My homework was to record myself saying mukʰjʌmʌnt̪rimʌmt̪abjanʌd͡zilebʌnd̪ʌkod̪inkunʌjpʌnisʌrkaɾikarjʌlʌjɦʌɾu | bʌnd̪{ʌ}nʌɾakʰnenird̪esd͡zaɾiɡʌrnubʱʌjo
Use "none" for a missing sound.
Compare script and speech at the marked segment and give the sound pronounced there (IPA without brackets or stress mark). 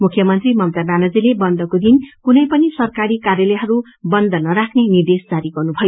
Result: ʌ